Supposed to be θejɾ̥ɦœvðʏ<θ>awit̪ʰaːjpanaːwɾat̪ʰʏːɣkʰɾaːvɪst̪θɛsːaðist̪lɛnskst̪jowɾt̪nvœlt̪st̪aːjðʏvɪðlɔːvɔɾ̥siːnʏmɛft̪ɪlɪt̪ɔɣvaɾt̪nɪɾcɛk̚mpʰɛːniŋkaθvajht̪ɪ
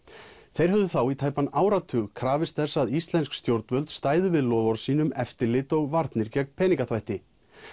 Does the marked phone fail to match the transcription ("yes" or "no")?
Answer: no